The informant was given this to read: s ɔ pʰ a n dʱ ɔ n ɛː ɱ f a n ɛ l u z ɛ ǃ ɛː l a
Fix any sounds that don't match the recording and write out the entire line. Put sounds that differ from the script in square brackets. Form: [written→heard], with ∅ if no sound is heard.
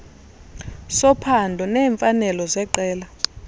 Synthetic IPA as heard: s ɔ pʰ a n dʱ ɔ n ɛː ɱ f a n ɛ l [u→ɔ] z ɛ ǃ ɛː l a